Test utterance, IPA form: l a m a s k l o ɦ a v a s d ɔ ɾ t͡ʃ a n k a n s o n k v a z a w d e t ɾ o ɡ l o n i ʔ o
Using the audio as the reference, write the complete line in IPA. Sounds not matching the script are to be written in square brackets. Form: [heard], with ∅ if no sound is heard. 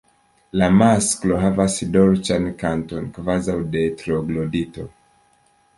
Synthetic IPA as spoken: l a m a s k l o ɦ a v a s d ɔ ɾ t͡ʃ a n k a n [t] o n k v a z a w d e t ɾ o ɡ l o [d] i [t] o